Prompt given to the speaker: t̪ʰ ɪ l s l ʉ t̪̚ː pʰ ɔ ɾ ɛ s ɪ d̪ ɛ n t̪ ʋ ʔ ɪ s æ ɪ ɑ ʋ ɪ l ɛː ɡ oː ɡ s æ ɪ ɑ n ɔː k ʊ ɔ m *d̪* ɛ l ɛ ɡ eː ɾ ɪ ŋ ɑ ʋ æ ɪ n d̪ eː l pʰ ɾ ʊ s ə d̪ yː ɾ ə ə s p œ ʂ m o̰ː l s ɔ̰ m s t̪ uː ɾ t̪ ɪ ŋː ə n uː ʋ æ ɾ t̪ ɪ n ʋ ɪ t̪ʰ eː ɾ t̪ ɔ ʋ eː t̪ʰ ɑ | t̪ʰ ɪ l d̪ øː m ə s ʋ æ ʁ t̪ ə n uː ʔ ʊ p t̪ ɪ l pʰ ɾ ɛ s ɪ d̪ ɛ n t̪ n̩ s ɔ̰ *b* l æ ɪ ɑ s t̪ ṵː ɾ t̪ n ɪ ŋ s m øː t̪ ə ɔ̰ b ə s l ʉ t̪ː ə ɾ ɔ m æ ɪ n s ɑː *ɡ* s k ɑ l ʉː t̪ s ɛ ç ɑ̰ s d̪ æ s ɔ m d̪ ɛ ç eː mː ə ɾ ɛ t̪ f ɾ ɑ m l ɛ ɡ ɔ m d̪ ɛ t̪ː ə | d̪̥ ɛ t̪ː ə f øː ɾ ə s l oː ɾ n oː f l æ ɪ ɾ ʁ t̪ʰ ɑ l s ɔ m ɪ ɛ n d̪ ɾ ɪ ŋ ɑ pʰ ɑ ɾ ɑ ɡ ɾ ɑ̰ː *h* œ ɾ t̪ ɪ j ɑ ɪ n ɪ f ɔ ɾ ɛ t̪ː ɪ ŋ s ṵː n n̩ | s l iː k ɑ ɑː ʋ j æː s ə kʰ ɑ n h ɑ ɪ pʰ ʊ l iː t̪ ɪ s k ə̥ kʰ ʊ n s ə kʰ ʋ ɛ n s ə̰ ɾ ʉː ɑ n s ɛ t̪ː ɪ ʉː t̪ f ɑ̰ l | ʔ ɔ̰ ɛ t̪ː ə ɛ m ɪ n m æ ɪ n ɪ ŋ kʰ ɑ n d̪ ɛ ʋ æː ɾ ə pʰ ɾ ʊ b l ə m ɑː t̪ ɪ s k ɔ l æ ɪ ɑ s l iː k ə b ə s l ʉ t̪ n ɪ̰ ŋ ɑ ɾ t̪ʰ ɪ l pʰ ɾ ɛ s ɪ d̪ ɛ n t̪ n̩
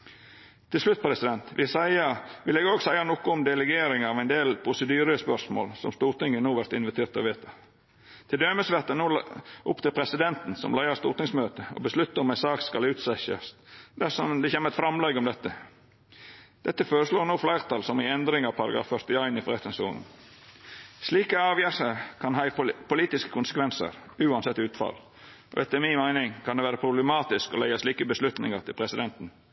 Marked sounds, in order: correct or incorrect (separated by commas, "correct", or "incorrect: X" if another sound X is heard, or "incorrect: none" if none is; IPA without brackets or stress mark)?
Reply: correct, incorrect: m, incorrect: k, incorrect: f